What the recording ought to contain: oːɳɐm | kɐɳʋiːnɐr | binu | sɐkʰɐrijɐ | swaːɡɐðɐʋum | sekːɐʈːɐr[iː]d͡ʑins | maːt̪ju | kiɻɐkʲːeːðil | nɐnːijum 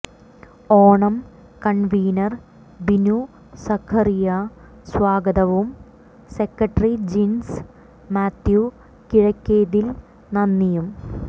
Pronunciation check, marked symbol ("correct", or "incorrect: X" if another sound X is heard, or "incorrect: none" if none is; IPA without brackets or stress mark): incorrect: i